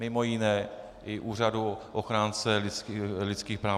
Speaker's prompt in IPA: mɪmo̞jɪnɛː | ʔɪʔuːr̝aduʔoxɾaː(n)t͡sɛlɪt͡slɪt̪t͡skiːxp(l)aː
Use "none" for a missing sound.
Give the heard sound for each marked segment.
n, ɾ

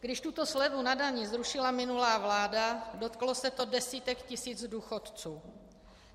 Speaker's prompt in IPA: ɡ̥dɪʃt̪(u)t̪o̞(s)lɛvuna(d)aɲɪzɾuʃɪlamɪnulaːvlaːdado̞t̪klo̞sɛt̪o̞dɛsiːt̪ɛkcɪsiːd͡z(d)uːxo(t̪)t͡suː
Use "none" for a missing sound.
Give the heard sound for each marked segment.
u, s, d, d, t̪

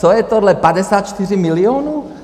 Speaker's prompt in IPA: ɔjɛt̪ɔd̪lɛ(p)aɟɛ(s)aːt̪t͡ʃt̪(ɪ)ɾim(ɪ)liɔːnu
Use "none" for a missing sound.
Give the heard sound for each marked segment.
p, s, i, i

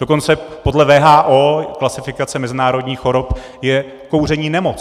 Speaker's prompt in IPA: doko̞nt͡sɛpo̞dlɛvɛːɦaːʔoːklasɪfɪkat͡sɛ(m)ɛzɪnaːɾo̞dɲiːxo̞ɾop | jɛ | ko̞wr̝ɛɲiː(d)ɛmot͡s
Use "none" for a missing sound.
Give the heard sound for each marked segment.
m, n

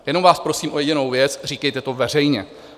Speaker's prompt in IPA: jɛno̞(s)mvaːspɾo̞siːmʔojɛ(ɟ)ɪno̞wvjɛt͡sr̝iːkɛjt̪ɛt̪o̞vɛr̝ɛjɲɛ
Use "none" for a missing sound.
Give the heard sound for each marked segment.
none, ɟ

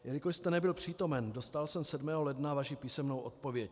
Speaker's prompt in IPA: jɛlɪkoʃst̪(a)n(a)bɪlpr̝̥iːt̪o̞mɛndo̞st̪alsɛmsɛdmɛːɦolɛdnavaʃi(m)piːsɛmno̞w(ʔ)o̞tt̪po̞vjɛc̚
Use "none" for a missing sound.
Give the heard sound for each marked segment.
ɛ, ɛ, none, ʔ

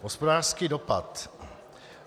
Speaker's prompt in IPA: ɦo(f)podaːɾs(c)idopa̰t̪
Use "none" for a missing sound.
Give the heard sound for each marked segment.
s, k

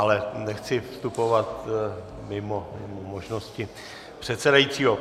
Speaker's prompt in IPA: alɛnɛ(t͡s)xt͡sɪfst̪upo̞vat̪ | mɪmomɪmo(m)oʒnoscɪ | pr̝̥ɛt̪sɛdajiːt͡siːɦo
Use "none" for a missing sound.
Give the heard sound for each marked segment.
none, m

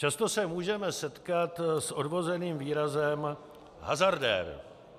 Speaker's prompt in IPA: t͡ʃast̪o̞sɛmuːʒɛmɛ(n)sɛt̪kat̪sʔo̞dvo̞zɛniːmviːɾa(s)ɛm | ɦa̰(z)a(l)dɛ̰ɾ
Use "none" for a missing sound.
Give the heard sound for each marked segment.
none, z, z, ɾ

